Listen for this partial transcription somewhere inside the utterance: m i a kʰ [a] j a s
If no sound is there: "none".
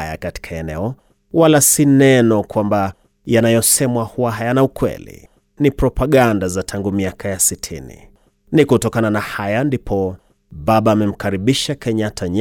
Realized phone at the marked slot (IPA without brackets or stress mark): a